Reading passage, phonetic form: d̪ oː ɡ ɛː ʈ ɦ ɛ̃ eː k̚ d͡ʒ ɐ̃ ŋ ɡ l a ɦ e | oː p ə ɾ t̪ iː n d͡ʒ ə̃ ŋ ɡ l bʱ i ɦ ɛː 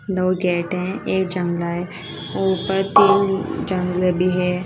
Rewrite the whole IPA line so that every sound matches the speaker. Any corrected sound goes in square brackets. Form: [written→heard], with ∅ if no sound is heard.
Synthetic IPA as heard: d̪ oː ɡ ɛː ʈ ɦ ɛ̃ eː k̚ d͡ʒ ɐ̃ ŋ ɡ l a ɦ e | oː p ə ɾ t̪ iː n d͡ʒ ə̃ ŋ ɡ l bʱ i ɦ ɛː